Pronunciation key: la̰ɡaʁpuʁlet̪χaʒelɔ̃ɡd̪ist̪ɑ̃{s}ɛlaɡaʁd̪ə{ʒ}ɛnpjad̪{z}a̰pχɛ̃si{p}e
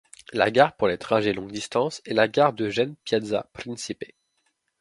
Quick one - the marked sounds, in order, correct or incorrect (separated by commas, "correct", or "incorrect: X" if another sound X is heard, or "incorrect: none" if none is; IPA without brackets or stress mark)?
correct, correct, correct, correct